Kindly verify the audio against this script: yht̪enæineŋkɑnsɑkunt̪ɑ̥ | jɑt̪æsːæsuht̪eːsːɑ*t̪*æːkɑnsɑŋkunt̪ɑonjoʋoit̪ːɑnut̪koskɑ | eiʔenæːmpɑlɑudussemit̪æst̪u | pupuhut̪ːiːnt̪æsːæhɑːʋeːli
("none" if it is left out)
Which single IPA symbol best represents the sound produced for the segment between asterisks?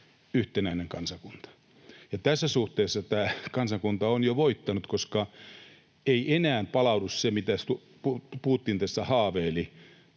t̪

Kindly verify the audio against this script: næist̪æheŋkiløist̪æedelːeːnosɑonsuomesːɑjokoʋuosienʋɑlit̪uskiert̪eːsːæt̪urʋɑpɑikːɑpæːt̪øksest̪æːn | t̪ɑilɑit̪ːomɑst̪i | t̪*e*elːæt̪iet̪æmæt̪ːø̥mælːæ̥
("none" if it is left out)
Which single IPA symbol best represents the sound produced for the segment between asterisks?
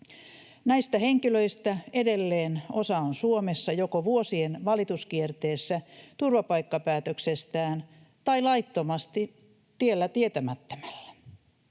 i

